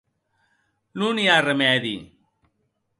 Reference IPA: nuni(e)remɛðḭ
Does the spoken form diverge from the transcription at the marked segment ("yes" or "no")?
yes